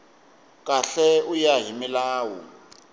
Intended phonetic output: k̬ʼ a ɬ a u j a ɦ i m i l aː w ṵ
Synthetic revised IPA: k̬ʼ a ɬ ɛ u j a ɦ i m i l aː w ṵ

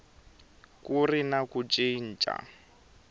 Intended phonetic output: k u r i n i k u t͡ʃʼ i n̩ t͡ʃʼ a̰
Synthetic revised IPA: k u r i n a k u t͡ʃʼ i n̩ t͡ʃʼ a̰

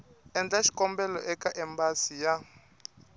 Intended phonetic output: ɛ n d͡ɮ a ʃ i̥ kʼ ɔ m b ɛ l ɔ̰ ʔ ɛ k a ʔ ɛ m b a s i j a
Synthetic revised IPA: ɛ n d͡ɮ a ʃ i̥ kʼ ɔ m b ɛ l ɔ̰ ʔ ɛ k a ʔ ɛ m b a s i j a

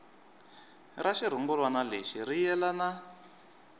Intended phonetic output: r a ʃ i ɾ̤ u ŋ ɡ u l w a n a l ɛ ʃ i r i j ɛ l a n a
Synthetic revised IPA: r a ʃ i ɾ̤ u ŋ ɡ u l w a n a l e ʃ i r i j ɛ l a n a

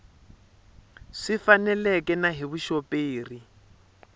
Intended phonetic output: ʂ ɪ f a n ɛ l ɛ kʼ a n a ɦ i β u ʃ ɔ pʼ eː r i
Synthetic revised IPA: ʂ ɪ f a n ɛ l ɛ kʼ ɛ n a ɦ i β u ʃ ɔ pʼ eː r i

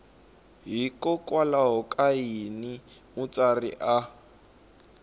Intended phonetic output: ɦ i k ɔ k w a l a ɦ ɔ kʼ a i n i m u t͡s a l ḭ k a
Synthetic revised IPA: ɦ i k ɔ k w a l a ɦ ɔ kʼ a i n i m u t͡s a r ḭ ʔ a

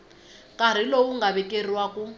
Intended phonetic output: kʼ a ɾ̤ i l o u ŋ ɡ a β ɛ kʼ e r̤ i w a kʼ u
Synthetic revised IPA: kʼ a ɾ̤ i l o u ŋ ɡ a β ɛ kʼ e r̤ i w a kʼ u

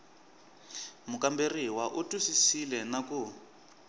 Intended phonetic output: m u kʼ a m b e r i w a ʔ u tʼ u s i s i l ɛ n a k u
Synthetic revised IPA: m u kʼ a m b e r i w a ʔ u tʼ u s i s i l ɛ n a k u

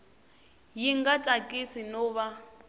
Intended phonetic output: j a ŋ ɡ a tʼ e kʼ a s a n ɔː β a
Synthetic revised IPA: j i ŋ ɡ a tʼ a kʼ i s i n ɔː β a

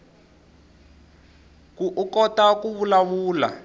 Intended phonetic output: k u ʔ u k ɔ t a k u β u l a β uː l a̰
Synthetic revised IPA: k u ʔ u k ɔ t a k u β u l a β uː l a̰

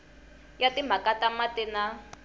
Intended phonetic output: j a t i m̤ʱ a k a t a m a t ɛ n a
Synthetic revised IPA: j a t i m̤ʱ a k a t a m a t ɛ n a

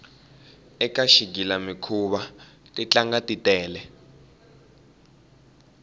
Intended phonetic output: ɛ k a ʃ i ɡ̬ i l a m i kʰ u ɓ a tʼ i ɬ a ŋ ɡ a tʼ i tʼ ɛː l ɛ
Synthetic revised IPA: ɛ k a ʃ i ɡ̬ i l a m i kʰ u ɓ a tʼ i t͡ɬ a ŋ ɡ a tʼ i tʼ ɛː l ɛ

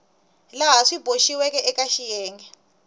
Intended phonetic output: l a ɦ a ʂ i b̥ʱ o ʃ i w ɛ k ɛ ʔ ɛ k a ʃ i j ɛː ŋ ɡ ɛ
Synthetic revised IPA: l a ɦ a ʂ i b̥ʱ o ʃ i w ɛ k ɛ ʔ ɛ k a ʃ i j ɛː ŋ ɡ ɛ

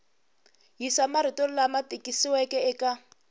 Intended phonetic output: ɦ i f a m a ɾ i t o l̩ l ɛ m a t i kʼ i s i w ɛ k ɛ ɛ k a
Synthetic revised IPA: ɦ i s a m a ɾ i t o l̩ l a m a t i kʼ i s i w ɛ k ɛ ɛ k a

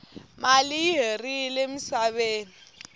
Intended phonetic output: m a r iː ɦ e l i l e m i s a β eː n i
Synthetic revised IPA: m a l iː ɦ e r i l e m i s a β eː n i

